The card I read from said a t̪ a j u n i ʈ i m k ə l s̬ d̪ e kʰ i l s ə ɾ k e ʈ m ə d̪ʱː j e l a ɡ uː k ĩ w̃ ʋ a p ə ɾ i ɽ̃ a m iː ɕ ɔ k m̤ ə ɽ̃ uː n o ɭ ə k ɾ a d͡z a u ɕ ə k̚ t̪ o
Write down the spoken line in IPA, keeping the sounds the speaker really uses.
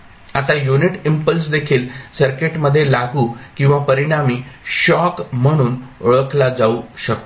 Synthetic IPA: a t̪ a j u n i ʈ i m p ə l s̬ d̪ e kʰ iː l s ə ɾ k e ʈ m ə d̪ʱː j e l a ɡ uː k ĩ w̃ ʋ a p ə ɾ i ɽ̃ a m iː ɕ ɔ k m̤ ə ɽ̃ uː n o ɭ ə k l a d͡z a u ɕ ə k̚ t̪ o